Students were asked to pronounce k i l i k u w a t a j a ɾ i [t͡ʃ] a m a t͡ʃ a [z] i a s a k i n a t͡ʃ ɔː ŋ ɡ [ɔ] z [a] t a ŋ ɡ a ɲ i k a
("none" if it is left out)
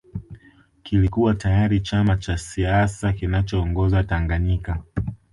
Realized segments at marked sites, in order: t͡ʃ, s, ɔ, a

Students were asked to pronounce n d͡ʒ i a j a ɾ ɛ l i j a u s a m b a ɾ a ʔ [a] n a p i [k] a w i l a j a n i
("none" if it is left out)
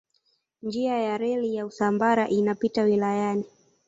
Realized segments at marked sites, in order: i, t

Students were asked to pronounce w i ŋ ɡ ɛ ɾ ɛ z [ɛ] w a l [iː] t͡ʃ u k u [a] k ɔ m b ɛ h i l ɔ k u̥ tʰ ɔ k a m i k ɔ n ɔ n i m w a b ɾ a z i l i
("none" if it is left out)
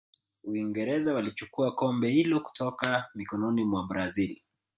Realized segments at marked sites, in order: a, i, a

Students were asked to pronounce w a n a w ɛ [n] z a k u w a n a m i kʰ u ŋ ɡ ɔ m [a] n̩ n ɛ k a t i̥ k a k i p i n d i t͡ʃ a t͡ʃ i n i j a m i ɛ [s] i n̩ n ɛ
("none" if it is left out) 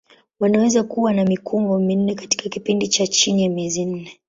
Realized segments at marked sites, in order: none, i, z

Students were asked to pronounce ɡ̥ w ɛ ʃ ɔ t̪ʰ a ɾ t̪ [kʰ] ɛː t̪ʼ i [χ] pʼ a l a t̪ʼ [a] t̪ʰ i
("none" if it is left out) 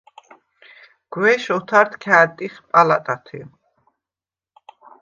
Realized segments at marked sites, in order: kʰ, χ, a

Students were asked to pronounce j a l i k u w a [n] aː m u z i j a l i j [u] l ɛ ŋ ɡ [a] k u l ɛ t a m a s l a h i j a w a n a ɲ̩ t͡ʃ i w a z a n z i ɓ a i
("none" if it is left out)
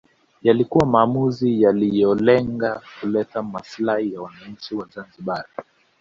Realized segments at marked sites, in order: m, ɔ, a

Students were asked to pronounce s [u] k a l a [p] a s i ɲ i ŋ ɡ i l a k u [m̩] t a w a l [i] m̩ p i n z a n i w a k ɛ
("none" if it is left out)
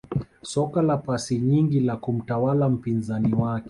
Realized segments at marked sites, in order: ɔ, p, m̩, a

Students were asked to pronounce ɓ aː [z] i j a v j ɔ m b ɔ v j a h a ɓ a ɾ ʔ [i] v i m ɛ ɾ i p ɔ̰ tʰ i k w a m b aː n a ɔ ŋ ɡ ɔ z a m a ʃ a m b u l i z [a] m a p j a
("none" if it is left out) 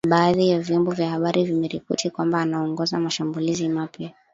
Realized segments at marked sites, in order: ð, i, i

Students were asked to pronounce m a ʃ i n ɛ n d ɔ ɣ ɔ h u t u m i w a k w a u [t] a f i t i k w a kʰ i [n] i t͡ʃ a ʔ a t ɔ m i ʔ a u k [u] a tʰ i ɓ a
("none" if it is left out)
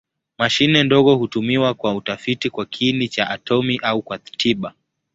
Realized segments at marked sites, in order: t, n, w

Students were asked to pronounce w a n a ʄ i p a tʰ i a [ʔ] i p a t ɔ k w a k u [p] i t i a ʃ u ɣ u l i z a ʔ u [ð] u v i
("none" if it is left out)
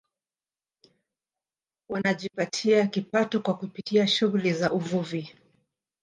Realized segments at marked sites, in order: k, p, v

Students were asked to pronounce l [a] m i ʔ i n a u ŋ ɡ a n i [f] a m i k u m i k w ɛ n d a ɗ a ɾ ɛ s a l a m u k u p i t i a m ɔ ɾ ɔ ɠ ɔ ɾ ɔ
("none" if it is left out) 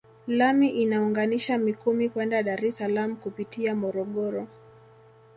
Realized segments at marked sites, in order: a, ʃ

